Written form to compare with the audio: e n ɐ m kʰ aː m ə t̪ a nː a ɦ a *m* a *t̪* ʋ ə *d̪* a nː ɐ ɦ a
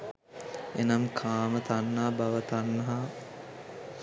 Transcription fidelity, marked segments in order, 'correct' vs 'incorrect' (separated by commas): incorrect, incorrect, incorrect